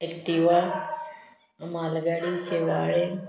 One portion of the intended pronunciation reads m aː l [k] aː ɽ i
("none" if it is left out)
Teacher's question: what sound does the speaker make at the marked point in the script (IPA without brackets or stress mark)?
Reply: ɡ